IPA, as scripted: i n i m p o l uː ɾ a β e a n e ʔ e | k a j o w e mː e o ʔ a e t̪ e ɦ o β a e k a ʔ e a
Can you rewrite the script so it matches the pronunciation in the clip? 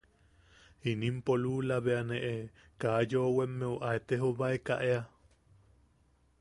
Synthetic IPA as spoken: i n i m p o l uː l a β e a n e ʔ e | k a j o w e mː e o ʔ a e t̪ e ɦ o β a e k a ʔ e a